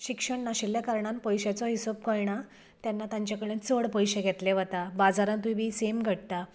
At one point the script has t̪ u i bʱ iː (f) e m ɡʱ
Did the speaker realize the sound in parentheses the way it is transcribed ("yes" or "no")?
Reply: no